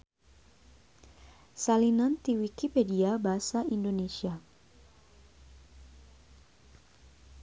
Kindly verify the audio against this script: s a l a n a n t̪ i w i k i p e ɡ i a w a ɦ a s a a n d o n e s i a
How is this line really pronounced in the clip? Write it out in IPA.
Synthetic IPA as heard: s a l i n a n t̪ i w i k i p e d i a b a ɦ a s a i n d o n e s i a